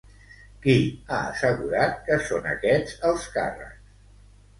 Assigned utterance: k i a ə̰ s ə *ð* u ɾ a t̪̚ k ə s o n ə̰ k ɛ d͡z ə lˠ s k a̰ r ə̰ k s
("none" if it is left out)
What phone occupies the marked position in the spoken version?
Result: ɣ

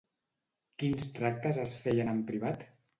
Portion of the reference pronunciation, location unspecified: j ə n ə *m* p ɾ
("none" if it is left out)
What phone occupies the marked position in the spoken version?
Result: m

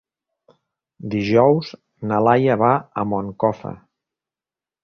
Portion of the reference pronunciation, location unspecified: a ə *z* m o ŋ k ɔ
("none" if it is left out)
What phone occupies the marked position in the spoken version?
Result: none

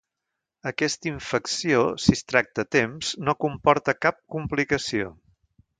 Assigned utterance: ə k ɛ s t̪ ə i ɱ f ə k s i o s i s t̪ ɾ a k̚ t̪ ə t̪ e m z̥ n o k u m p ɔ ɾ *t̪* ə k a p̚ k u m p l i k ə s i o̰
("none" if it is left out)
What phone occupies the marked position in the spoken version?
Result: t̪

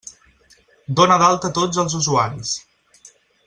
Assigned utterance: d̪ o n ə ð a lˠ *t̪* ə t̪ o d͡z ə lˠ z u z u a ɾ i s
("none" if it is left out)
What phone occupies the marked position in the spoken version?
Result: t̪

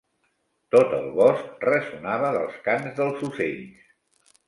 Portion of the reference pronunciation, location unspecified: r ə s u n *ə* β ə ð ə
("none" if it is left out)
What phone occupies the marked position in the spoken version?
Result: a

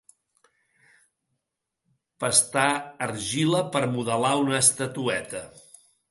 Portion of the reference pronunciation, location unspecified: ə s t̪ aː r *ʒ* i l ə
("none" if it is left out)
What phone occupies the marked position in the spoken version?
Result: ʒ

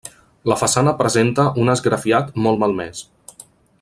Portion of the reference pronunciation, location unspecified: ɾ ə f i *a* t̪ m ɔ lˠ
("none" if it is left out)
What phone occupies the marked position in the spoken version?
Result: a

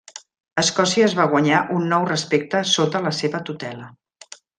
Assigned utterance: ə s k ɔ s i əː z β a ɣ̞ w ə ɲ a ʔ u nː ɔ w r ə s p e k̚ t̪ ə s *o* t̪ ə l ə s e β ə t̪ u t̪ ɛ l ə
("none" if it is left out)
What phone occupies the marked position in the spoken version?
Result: o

